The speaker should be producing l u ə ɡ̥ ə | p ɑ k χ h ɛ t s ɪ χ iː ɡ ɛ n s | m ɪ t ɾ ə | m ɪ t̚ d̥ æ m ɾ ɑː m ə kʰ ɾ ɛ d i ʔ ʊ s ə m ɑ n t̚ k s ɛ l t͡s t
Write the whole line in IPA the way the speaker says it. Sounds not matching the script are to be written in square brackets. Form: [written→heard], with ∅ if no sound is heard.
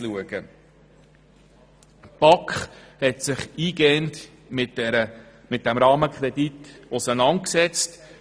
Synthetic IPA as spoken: l u ə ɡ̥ ə | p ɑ k χ h ɛ t s ɪ χ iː ɡ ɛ n [s→t] | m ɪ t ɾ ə | m ɪ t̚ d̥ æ m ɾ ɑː m ə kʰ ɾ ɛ d i [ʔ→t] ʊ s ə [m→n] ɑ n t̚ k s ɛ [l→∅] t͡s t